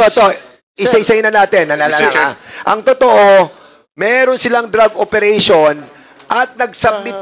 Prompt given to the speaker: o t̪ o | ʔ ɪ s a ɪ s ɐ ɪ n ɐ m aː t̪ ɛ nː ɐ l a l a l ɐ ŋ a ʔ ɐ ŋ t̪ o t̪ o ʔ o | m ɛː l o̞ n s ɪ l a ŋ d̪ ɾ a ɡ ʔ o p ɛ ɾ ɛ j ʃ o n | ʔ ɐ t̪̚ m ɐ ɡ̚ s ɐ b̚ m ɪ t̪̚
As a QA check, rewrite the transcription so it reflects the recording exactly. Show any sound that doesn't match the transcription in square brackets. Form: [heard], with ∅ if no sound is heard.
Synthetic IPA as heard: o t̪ o | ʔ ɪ s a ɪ s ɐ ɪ n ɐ [n] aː t̪ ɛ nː ɐ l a l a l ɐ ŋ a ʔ ɐ ŋ t̪ o t̪ o ʔ o | m ɛː [ɾ] o̞ n s ɪ l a ŋ d̪ ɾ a ɡ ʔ o p ɛ ɾ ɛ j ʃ o n | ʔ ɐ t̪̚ [n] ɐ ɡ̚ s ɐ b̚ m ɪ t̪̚

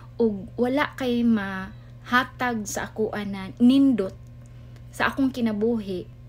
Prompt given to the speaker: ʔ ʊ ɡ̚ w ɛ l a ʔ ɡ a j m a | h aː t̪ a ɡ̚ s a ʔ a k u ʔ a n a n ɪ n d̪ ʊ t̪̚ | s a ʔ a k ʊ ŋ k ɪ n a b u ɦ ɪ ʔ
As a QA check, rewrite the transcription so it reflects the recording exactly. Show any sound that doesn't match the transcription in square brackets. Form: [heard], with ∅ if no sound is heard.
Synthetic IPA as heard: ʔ ʊ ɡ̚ w [a] l a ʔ [k] a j m a | h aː t̪ a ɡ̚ s a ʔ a k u ʔ a n a n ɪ n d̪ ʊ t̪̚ | s a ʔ a k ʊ ŋ k ɪ n a b u ɦ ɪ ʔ

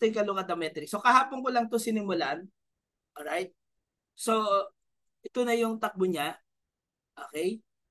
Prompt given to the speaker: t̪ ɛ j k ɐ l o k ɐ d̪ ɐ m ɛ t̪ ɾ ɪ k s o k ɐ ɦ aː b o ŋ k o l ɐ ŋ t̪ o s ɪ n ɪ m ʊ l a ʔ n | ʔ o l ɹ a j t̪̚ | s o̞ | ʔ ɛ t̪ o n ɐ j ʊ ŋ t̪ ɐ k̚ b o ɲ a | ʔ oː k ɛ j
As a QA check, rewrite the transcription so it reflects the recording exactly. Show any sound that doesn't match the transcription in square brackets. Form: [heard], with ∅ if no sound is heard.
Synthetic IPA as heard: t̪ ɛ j k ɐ l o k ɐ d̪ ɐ m ɛ t̪ ɾ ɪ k s o k ɐ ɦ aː [p] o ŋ k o l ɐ ŋ t̪ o s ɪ n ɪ m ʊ l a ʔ n | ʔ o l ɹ a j t̪̚ | s o̞ | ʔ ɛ t̪ o n ɐ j ʊ ŋ t̪ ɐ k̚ b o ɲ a | ʔ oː k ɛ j

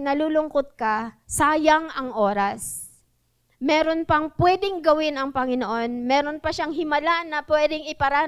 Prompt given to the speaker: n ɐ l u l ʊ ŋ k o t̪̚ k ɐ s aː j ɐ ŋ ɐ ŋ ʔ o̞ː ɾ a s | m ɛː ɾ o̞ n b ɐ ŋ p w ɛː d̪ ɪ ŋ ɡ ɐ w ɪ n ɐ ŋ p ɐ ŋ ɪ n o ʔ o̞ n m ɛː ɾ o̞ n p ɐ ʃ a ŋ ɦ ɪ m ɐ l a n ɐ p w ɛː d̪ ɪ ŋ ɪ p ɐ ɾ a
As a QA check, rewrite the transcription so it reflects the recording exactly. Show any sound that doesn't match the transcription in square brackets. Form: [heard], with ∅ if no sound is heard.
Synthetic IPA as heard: n ɐ l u l ʊ ŋ k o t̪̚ k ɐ s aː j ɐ ŋ ɐ ŋ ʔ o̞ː ɾ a s | m ɛː ɾ o̞ n [p] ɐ ŋ p w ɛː d̪ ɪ ŋ ɡ ɐ w ɪ n ɐ ŋ p ɐ ŋ ɪ n o ʔ o̞ n m ɛː ɾ o̞ n p ɐ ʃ a ŋ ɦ ɪ m ɐ l a n ɐ p w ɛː d̪ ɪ ŋ ɪ p ɐ ɾ a

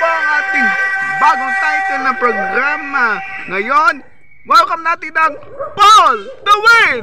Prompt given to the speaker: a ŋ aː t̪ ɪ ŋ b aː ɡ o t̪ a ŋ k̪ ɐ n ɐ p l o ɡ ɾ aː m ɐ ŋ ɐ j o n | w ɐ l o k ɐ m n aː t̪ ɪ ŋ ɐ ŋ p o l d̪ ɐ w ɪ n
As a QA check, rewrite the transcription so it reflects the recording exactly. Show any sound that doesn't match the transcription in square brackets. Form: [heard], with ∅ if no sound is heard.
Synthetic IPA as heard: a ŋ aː t̪ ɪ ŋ b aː ɡ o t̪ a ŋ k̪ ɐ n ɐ p [ɾ] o ɡ ɾ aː m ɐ ŋ ɐ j o n | w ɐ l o k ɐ m n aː t̪ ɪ [n] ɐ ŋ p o l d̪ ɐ w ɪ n

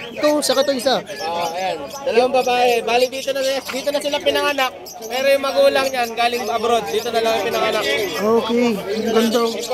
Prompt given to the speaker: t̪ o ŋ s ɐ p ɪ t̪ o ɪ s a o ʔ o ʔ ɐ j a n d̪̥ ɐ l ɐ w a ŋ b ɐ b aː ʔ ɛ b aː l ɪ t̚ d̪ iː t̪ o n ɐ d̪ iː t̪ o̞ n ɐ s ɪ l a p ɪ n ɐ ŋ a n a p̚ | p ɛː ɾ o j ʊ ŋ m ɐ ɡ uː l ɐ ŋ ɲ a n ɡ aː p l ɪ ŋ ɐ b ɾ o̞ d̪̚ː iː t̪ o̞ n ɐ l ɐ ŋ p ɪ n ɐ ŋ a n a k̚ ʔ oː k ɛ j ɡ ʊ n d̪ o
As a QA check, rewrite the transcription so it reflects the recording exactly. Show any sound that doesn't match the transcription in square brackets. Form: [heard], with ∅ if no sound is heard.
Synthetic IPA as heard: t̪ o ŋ s ɐ [k] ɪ t̪ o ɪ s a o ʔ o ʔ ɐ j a n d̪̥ ɐ l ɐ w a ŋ b ɐ b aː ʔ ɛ b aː l ɪ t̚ d̪ iː t̪ o n ɐ d̪ iː t̪ o̞ n ɐ s ɪ l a p ɪ n ɐ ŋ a n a [k̚] | p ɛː ɾ o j ʊ ŋ m ɐ ɡ uː l ɐ ŋ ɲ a n ɡ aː [∅] l ɪ ŋ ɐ b ɾ o̞ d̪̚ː iː t̪ o̞ n ɐ l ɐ ŋ p ɪ n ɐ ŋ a n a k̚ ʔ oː k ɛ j ɡ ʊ n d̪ o

